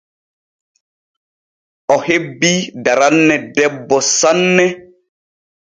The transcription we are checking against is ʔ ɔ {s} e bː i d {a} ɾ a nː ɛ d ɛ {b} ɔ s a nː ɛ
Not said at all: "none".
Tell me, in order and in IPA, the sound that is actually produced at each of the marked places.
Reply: h, a, bː

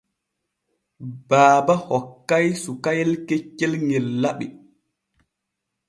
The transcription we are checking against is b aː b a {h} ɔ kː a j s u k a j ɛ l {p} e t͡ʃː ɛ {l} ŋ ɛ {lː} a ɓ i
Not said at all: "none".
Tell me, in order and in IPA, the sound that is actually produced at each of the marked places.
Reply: h, k, l, lː

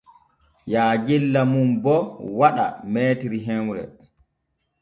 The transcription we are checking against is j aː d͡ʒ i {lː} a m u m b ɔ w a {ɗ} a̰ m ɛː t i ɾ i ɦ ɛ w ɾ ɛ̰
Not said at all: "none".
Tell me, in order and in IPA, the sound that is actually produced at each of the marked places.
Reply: lː, ɗ

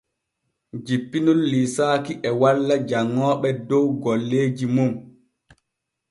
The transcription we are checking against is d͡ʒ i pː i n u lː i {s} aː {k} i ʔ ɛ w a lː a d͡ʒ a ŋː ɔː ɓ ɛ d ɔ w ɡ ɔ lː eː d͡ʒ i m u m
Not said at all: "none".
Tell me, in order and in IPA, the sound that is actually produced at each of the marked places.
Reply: s, k

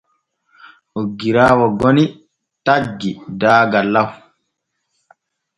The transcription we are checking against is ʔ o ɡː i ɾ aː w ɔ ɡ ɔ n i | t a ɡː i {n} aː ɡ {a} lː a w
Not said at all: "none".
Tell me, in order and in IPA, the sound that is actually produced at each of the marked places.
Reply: d, a

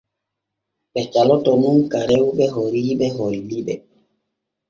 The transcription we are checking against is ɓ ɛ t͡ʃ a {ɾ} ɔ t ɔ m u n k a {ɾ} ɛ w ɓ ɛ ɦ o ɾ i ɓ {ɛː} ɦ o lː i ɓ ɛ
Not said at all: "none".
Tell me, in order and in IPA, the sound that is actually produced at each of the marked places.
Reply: l, ɾ, ɛ

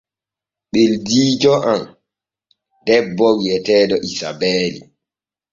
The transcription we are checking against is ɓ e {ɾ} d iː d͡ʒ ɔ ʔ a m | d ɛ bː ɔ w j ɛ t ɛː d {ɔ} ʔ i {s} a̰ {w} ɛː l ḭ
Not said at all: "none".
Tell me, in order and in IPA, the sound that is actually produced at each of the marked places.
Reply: l, ɔ, s, b

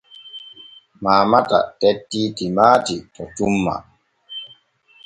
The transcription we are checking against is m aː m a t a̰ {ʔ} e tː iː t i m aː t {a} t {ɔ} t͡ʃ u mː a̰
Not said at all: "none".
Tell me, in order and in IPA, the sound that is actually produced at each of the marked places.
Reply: t, i, ɔ

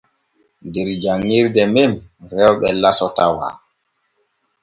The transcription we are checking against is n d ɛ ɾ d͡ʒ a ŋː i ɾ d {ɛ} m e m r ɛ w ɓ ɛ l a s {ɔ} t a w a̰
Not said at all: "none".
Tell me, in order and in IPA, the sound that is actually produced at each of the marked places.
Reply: ɛ, ɔ

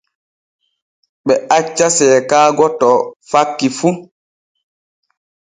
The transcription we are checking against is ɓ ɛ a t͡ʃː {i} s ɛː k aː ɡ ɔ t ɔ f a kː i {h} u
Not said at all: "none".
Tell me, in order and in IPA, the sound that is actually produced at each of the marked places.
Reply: a, f

